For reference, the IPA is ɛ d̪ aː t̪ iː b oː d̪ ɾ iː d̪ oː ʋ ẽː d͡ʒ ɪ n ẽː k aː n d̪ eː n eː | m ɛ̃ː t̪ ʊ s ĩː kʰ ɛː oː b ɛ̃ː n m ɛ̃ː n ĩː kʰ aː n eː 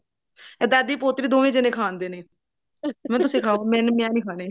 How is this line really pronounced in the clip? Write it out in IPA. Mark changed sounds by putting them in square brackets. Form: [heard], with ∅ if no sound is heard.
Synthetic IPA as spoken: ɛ d̪ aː [d̪] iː [p] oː [t̪] ɾ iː d̪ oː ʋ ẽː d͡ʒ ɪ n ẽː [kʰ] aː n d̪ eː n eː | m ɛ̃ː t̪ ʊ s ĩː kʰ [aː] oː [m] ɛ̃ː n m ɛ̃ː n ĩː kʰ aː n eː